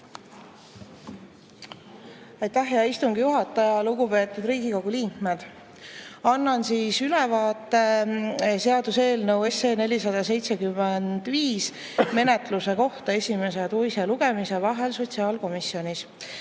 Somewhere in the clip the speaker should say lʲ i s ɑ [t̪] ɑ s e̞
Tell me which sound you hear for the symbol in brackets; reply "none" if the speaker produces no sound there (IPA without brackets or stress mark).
d̪